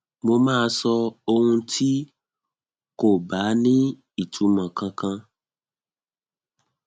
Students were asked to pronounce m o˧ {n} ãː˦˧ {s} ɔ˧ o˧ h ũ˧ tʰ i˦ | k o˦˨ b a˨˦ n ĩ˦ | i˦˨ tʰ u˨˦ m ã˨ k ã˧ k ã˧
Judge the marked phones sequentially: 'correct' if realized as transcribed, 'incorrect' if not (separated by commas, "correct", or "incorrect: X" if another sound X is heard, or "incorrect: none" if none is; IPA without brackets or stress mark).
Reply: incorrect: m, correct